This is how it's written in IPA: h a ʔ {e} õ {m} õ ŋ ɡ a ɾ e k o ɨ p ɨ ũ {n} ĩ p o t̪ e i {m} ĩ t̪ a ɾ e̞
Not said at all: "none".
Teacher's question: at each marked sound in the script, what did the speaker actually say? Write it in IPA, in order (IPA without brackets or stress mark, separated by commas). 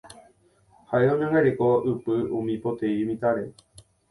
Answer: e, ɲ, m, m